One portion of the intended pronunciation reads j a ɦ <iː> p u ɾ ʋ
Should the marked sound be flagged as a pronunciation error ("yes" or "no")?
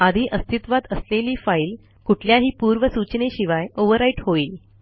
no